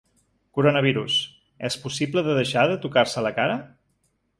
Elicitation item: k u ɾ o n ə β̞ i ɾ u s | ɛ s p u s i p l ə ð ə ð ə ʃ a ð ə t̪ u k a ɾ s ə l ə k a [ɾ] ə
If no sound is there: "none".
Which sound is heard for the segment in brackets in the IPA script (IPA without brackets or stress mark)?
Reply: ɾ